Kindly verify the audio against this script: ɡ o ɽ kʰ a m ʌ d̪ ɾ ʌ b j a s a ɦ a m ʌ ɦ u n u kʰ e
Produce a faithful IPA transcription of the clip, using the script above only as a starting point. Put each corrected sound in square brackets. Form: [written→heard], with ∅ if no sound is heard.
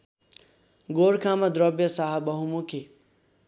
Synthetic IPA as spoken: ɡ o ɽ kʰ a m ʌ d̪ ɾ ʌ b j [a→ʌ] s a ɦ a [m→b] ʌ ɦ u [n→m] u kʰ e